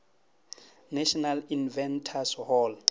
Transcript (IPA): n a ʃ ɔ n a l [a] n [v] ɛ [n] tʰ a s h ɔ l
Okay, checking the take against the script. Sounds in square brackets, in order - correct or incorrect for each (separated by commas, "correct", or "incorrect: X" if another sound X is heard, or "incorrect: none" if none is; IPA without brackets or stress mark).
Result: incorrect: i, correct, correct